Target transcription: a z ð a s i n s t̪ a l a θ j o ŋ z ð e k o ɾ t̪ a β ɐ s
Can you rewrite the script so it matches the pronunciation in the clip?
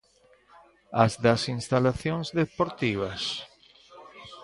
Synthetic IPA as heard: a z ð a s i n s t̪ a l a θ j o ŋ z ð e p o ɾ t̪ i β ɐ s